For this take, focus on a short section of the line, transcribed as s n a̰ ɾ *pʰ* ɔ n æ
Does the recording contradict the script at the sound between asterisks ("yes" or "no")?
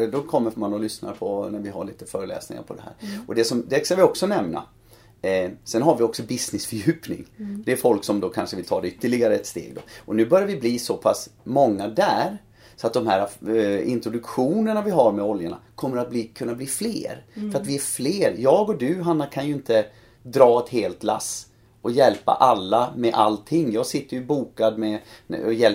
no